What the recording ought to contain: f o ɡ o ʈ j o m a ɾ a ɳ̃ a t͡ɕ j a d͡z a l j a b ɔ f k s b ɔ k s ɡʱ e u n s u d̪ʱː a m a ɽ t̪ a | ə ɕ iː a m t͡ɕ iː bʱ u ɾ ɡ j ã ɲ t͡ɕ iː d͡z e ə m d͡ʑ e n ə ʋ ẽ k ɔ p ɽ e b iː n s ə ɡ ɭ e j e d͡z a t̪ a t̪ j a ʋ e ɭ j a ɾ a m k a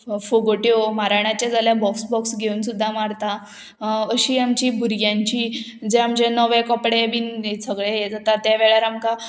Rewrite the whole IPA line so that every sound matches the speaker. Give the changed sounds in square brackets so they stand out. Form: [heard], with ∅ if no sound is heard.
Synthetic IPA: f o ɡ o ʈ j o m a ɾ a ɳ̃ a t͡ɕ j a d͡z a l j a b ɔ [∅] k s b ɔ k s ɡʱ e u n s u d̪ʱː a m a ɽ t̪ a | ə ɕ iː a m t͡ɕ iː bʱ u ɾ ɡ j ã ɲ t͡ɕ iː d͡z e [a] m d͡ʑ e n ə ʋ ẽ k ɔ p ɽ e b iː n s ə ɡ ɭ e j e d͡z a t̪ a t̪ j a ʋ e ɭ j a ɾ a m k a